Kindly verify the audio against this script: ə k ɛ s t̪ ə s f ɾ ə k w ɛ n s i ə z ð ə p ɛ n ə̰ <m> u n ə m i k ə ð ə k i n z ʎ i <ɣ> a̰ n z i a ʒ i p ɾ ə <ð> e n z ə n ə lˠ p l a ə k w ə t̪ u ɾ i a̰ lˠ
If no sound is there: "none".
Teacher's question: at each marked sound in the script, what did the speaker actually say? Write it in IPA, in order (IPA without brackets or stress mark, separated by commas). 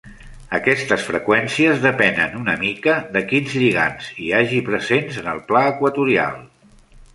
n, ɣ, z